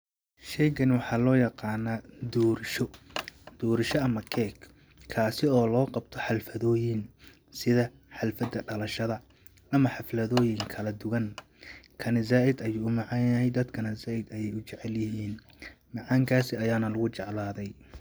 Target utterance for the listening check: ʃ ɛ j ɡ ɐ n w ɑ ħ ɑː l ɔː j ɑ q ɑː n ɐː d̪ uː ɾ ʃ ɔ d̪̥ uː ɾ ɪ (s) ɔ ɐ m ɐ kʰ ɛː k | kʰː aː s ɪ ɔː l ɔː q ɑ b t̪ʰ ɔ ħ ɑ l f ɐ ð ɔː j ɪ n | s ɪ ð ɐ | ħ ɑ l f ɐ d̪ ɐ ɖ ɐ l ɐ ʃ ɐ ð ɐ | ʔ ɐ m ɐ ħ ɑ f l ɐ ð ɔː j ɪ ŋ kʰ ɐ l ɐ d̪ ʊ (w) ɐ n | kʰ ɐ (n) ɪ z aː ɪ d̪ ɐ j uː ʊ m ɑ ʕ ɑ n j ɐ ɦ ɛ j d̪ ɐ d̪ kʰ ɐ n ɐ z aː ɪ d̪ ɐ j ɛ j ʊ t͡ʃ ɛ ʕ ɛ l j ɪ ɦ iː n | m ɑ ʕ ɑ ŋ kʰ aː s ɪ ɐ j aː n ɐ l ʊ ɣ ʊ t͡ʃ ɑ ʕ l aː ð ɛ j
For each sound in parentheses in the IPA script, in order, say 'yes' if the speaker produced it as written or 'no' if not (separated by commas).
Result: no, no, yes